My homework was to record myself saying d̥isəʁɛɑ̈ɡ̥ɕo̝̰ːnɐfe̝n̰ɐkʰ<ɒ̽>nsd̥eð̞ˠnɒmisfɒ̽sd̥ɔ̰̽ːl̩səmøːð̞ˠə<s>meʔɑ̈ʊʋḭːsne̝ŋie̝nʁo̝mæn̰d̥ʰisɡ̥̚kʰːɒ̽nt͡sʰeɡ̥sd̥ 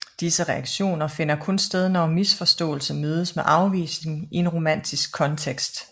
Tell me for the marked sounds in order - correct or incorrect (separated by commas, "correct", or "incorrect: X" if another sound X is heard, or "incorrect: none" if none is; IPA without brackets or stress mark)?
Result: incorrect: ɔ̽, correct